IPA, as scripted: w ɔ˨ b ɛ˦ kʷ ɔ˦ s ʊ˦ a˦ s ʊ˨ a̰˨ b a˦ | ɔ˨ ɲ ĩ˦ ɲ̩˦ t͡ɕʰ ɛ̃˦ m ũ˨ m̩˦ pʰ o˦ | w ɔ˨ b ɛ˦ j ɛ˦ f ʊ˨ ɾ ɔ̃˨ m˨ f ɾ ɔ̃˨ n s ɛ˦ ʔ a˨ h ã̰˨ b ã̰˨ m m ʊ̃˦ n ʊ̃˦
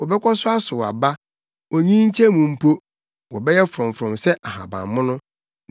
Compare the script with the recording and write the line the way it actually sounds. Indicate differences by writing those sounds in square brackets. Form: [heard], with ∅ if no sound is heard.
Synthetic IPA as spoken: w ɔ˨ b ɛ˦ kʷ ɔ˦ s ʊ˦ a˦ s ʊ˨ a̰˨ b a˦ | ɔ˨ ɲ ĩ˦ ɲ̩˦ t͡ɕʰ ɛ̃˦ m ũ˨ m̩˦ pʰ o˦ | w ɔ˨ b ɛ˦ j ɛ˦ f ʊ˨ ɾ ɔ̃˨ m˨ f ɾ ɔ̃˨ [m] s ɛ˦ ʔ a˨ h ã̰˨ b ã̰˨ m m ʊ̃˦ n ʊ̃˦